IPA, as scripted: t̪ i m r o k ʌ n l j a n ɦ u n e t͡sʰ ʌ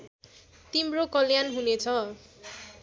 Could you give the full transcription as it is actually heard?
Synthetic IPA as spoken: t̪ i m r o k ʌ l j a n ɦ u n e t͡sʰ ʌ